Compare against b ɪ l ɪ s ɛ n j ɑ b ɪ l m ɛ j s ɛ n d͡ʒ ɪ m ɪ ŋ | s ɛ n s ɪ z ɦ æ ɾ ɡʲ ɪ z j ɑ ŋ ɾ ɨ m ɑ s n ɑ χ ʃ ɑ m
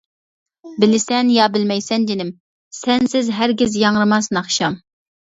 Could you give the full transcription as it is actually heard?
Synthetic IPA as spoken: b ɪ l ɪ s ɛ n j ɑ b ɪ l m ɛ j s ɛ n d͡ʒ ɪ n ɪ m | s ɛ n s ɪ z ɦ æ ɾ ɡʲ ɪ z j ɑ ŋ ɾ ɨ m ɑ s n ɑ χ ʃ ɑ m